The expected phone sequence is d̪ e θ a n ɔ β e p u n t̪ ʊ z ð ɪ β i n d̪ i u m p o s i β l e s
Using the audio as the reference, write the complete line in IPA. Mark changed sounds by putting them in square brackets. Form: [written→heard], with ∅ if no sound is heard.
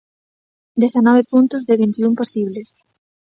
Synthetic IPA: d̪ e θ a n ɔ β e p u n t̪ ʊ z ð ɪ β i n [d̪→t̪] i u m p o s i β l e s